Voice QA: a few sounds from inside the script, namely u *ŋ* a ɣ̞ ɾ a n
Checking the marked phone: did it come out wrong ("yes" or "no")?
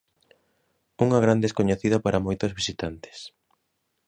no